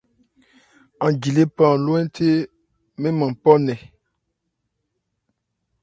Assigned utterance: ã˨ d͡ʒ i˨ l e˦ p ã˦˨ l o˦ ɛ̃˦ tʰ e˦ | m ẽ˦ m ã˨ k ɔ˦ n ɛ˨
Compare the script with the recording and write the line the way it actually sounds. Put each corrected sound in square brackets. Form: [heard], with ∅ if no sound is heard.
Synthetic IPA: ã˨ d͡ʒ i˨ l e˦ p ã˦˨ l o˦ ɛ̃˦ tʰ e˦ | m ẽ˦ m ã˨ [p] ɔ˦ n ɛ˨